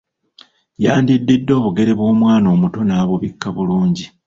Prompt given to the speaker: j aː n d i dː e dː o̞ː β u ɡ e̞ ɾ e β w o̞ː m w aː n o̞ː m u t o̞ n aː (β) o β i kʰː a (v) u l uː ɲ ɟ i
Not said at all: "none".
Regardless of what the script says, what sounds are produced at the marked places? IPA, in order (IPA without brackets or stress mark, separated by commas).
β, β